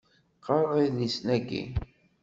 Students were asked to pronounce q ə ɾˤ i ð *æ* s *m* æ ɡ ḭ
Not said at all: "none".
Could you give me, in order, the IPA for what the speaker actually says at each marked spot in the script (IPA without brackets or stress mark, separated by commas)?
i, n